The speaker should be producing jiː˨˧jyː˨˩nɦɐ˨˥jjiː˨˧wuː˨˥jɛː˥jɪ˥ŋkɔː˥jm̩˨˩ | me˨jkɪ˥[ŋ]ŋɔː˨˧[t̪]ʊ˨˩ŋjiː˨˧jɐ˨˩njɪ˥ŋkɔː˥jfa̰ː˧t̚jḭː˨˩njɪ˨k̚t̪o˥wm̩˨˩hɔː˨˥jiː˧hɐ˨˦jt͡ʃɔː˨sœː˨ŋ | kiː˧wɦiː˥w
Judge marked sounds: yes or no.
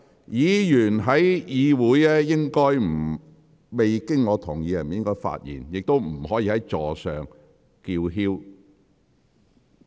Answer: yes, no

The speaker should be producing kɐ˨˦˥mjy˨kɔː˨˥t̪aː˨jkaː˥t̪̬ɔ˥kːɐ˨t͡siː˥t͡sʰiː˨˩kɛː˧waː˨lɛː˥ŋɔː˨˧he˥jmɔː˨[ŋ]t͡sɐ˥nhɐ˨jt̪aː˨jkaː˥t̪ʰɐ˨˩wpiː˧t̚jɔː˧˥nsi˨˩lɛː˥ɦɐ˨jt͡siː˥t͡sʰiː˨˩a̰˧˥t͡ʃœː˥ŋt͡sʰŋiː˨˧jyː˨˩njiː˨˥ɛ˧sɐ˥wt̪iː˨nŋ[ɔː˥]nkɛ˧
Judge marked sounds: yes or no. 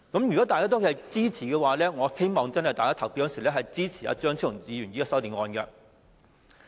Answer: yes, no

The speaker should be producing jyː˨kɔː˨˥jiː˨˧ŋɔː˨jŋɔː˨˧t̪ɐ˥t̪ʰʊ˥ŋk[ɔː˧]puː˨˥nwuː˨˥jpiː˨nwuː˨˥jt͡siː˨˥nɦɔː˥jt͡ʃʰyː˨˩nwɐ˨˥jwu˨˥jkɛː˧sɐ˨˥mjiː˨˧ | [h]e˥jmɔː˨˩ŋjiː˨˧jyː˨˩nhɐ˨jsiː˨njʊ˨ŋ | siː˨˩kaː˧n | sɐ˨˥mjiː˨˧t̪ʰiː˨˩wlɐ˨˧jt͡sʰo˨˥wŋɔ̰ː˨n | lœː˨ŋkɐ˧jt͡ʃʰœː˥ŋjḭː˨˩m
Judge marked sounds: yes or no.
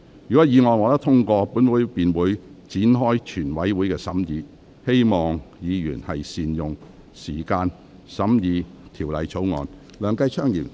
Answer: yes, yes

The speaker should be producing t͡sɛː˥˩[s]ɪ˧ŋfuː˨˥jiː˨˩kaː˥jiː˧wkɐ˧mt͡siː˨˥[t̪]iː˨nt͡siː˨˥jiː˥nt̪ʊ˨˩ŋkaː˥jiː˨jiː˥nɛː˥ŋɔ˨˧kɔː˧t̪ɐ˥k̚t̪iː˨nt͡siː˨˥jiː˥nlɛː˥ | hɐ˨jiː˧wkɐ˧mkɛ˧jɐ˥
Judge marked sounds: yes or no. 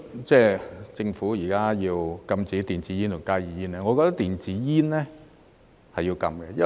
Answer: no, yes

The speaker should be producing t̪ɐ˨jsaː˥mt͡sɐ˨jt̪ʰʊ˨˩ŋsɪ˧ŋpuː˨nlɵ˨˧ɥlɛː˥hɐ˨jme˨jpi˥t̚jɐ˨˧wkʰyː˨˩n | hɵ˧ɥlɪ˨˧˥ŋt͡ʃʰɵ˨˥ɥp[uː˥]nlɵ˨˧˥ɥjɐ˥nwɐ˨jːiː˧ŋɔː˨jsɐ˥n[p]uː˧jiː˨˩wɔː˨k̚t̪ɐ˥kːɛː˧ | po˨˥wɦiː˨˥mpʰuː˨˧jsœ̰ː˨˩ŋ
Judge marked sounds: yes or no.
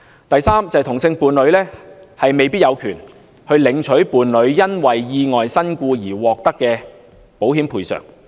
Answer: no, no

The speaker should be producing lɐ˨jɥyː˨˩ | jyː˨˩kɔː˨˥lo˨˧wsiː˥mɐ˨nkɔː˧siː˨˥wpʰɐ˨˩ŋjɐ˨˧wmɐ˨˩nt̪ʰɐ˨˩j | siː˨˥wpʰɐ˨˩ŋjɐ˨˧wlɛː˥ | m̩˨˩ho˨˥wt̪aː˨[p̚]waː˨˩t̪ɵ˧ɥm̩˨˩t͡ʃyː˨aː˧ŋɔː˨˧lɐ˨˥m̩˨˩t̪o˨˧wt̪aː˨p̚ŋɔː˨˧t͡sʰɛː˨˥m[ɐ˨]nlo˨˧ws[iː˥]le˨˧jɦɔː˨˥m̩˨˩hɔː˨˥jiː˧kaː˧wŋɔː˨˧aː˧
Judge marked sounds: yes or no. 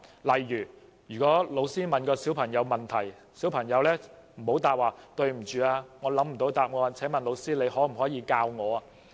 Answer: yes, yes, yes

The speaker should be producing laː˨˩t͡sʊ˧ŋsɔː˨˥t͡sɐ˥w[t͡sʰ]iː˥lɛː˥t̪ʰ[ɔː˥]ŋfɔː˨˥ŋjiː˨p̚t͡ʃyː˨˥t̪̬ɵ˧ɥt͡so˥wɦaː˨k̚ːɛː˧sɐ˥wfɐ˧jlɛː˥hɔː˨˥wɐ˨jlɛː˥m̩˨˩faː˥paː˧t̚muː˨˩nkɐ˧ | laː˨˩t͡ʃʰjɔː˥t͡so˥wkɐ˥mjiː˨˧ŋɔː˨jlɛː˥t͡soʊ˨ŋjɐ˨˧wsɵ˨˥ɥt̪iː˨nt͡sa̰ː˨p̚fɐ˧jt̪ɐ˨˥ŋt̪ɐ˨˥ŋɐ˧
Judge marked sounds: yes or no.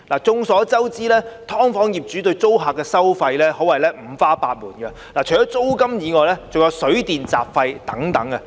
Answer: no, yes

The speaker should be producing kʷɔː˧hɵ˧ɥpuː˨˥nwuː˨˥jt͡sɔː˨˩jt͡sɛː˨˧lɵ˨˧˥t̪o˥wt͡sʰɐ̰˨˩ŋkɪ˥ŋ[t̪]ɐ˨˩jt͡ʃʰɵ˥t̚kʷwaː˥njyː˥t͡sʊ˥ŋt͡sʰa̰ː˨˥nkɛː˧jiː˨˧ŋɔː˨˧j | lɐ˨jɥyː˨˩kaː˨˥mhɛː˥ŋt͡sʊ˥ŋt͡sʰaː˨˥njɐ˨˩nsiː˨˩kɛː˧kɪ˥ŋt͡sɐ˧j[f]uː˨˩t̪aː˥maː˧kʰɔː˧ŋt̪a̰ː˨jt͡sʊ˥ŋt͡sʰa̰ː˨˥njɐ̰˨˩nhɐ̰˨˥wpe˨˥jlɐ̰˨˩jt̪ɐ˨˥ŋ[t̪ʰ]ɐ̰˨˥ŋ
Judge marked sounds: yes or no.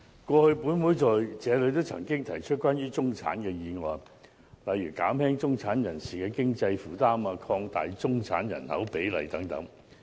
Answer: no, yes, no

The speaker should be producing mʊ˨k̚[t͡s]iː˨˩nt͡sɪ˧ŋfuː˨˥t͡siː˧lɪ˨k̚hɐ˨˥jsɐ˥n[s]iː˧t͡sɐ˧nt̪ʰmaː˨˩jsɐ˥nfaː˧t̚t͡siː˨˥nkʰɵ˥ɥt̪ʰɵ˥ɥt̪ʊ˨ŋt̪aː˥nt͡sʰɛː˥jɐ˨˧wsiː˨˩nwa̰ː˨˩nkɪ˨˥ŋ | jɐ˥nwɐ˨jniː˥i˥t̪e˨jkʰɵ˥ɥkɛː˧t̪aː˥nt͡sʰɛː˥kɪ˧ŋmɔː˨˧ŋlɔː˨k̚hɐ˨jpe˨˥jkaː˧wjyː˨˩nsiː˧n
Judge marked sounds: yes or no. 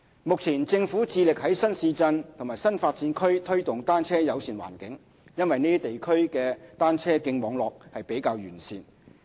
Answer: no, yes

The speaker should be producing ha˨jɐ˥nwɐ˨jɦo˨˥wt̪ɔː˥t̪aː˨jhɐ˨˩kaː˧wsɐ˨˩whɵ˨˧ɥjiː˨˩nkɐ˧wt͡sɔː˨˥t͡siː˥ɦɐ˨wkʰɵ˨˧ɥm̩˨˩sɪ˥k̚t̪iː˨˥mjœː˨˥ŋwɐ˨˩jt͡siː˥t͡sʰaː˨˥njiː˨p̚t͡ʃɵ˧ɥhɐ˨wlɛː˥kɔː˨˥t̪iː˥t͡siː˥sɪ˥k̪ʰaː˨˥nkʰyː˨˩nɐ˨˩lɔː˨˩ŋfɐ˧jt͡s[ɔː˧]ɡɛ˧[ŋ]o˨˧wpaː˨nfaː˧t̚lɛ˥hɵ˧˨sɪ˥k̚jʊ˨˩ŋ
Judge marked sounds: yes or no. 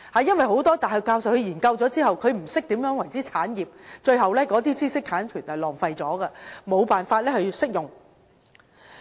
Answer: no, no

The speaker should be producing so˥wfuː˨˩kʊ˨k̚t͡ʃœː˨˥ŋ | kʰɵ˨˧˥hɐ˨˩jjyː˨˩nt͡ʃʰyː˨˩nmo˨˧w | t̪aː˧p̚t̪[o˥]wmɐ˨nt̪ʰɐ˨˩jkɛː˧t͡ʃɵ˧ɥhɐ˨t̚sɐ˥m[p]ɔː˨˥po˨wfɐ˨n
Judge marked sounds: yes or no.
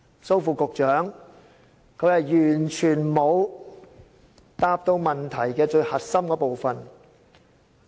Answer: no, no

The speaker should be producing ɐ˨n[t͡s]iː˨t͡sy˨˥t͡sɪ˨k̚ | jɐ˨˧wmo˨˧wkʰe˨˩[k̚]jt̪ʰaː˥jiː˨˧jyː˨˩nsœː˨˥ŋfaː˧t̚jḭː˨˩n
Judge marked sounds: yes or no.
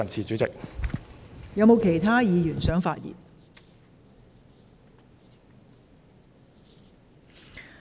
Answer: no, no

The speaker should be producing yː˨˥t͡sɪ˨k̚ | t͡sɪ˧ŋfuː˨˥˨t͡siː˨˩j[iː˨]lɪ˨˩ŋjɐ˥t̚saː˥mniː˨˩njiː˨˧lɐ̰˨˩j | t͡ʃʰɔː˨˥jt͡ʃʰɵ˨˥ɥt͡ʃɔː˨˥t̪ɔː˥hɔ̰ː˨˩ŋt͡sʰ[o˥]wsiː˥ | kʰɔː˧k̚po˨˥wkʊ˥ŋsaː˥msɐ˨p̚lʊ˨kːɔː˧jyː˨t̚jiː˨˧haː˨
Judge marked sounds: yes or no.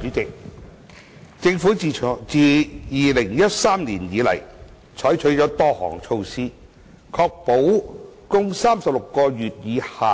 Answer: yes, no

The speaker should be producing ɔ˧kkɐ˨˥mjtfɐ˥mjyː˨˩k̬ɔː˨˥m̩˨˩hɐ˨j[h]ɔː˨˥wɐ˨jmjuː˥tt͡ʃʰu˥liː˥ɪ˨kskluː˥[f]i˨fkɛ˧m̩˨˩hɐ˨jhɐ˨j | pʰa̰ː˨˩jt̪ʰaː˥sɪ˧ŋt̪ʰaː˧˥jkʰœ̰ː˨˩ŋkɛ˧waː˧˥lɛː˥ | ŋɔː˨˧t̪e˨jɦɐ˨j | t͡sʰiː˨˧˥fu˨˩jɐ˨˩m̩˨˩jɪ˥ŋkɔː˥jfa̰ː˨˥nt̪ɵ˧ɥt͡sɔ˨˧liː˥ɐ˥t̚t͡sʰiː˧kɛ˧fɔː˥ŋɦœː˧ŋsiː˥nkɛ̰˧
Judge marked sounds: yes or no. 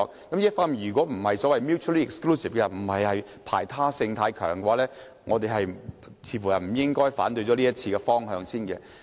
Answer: no, no

